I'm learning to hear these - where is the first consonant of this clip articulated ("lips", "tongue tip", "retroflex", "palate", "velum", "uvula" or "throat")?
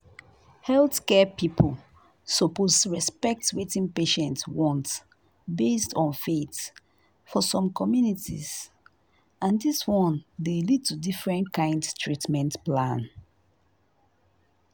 throat